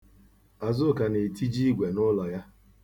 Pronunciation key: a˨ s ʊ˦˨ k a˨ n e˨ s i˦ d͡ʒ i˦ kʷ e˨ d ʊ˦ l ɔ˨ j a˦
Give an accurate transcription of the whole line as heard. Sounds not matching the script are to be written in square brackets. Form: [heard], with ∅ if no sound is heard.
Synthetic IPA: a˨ [z] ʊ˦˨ k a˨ n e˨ [t] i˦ d͡ʒ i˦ [ɡʷ] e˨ [n] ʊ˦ l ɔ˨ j a˦